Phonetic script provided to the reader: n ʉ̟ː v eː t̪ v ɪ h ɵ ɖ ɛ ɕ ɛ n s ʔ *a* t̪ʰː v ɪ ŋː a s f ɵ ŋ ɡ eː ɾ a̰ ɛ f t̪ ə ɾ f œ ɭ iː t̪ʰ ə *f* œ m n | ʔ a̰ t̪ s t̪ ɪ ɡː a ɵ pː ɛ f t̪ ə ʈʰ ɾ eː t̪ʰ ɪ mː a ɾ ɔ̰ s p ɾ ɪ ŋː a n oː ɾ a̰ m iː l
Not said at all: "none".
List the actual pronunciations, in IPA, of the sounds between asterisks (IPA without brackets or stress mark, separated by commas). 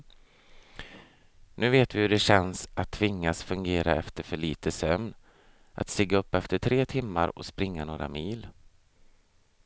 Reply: a, s